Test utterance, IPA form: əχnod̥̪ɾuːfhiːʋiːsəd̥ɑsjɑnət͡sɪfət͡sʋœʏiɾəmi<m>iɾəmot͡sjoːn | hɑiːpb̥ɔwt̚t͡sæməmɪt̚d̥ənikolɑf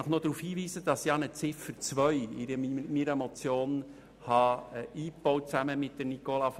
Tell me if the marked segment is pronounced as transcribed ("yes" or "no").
yes